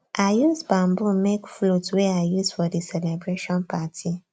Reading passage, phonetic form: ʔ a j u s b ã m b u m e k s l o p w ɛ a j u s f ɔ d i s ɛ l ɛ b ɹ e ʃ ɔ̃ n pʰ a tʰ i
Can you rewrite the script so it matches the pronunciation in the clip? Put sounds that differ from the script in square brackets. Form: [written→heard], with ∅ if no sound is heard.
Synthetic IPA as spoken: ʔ a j u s b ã m b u m e k [s→f] l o [p→t] w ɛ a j u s f ɔ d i s ɛ l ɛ b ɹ e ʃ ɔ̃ n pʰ a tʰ i